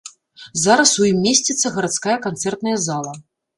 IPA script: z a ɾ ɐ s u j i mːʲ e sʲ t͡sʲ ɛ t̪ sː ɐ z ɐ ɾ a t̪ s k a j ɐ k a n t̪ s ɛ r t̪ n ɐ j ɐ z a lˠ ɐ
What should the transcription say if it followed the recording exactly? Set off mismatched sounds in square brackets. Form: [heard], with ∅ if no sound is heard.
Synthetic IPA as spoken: z a ɾ ɐ s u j i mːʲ e sʲ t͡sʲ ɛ t̪ sː ɐ [ɣ] ɐ ɾ a t̪ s k a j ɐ k a n t̪ s ɛ r t̪ n ɐ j ɐ z a lˠ ɐ